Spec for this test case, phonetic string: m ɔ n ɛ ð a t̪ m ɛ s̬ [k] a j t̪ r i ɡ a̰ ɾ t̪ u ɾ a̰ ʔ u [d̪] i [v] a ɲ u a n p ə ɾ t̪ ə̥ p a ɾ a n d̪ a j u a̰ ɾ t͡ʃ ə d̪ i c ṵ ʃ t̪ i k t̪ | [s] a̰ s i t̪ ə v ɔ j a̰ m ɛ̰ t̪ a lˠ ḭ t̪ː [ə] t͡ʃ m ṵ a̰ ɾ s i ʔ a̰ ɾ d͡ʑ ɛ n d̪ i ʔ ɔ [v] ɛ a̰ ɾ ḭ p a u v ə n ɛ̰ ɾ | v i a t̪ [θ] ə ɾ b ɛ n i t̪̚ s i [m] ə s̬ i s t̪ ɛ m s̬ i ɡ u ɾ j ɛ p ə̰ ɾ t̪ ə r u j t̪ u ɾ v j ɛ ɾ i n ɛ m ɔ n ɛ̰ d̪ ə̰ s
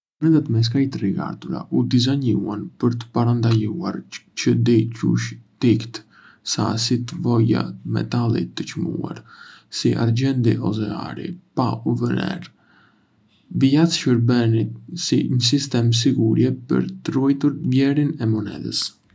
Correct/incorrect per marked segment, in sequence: correct, correct, incorrect, correct, correct, incorrect, incorrect, incorrect

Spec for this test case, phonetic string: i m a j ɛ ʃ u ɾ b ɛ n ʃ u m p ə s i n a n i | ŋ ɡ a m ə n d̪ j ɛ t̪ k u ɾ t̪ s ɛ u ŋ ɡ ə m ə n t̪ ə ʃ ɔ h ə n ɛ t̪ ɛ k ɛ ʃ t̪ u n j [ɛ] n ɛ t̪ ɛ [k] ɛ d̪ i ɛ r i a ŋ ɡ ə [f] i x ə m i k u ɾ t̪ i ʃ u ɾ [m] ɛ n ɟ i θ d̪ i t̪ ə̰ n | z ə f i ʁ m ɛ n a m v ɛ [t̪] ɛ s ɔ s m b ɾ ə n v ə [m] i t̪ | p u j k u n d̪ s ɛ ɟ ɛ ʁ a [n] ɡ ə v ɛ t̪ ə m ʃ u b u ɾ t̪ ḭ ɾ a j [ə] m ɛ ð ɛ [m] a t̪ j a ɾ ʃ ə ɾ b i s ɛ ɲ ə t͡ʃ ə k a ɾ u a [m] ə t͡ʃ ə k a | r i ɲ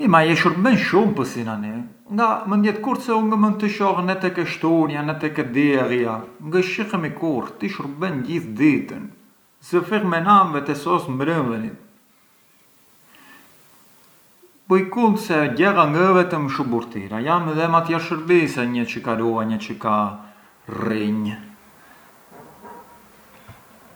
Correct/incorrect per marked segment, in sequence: incorrect, correct, incorrect, incorrect, correct, incorrect, incorrect, incorrect, correct, incorrect

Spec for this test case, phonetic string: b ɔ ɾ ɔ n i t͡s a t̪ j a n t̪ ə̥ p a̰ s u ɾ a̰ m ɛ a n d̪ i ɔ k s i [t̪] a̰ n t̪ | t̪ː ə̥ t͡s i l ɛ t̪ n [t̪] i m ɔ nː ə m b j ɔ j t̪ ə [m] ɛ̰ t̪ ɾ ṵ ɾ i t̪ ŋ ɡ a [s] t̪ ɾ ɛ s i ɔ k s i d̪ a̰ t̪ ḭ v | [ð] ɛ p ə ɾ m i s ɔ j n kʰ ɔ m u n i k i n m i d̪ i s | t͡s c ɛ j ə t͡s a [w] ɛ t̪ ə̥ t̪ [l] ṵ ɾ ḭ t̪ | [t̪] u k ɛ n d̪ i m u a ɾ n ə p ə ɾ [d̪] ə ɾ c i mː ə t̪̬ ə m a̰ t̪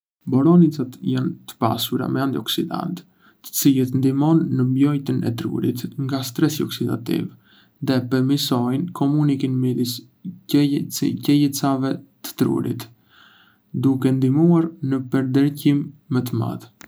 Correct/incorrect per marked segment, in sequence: incorrect, incorrect, incorrect, correct, correct, incorrect, incorrect, incorrect, correct

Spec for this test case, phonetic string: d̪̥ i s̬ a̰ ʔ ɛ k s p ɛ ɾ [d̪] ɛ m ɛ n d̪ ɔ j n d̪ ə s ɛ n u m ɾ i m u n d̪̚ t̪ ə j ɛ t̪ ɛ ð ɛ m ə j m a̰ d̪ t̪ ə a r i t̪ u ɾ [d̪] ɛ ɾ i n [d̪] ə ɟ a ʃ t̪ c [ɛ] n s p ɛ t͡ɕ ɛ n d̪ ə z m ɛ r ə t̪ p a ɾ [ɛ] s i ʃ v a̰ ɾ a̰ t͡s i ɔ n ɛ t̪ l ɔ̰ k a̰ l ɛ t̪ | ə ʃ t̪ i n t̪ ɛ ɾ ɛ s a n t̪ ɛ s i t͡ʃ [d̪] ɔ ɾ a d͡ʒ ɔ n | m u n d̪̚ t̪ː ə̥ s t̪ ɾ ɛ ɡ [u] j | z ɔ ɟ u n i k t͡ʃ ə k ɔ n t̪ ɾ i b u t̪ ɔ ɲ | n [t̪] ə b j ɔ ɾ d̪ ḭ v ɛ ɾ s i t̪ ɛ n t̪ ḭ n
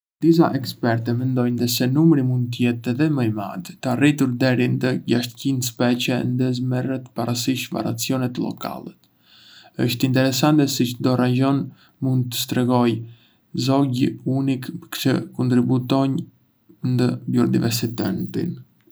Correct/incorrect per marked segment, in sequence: incorrect, correct, correct, incorrect, incorrect, correct, incorrect, incorrect

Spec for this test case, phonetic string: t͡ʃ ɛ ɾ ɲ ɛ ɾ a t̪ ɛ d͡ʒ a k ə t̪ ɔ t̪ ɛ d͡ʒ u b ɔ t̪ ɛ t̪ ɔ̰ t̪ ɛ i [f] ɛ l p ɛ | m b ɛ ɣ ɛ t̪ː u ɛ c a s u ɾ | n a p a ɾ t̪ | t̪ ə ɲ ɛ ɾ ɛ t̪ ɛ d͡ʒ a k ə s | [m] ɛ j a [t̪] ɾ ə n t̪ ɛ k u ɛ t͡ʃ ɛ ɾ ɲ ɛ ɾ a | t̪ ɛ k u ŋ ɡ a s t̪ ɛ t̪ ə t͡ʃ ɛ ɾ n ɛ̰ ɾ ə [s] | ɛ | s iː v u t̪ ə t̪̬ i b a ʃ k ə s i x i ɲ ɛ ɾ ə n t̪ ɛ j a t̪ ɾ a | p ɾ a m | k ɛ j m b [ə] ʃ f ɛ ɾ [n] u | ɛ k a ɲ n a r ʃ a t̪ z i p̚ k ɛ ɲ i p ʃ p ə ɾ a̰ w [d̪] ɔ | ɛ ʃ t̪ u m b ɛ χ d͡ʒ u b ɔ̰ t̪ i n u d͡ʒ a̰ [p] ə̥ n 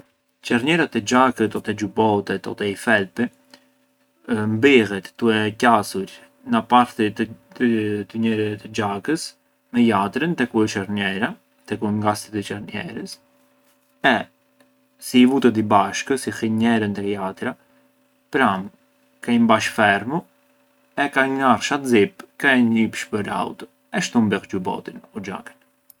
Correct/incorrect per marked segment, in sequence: correct, correct, correct, correct, incorrect, incorrect, incorrect, incorrect

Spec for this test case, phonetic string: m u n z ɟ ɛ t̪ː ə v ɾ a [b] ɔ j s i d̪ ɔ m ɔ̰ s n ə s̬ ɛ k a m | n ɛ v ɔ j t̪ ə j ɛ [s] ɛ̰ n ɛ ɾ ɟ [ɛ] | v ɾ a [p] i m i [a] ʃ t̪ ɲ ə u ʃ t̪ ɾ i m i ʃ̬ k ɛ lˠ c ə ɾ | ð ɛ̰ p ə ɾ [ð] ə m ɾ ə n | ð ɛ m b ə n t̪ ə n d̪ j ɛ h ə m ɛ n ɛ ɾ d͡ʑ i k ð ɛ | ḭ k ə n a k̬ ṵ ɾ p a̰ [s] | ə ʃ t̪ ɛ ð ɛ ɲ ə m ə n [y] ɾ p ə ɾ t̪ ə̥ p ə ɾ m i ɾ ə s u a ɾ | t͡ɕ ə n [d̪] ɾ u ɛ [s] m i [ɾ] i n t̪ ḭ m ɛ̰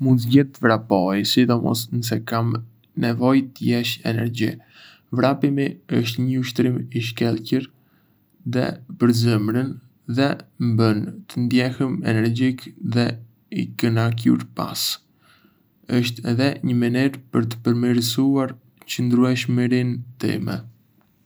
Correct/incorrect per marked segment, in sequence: incorrect, incorrect, incorrect, correct, incorrect, incorrect, correct, incorrect, correct, incorrect, correct

